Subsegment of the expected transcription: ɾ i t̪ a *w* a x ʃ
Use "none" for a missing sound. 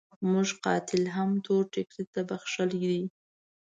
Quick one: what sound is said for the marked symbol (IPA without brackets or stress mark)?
b